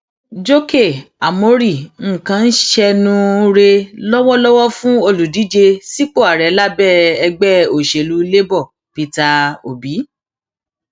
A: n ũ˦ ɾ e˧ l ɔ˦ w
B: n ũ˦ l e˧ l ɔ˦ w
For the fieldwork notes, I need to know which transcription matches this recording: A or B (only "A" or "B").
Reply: A